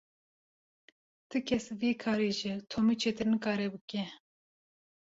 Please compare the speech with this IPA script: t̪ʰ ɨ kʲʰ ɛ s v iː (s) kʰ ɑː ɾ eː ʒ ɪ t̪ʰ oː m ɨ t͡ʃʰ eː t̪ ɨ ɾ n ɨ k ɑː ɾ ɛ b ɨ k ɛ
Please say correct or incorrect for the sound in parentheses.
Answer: incorrect